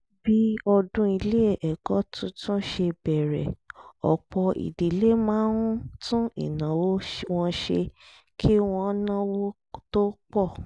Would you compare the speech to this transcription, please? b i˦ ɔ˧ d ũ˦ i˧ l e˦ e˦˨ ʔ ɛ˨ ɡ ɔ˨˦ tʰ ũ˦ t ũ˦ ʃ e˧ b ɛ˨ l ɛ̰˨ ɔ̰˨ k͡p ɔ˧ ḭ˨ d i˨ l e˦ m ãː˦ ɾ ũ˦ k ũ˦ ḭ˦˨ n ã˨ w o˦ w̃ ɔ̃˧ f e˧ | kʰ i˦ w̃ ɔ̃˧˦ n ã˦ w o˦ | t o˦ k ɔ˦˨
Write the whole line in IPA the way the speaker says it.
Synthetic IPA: b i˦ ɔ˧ d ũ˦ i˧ l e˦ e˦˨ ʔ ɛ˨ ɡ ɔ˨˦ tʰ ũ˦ t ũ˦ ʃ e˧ b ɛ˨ ɾ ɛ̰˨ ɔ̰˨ k͡p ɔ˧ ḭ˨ d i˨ l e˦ m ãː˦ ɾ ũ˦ t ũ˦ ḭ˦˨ n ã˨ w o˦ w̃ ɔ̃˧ ʃ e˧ | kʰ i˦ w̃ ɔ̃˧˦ n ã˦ w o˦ | t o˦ k͡p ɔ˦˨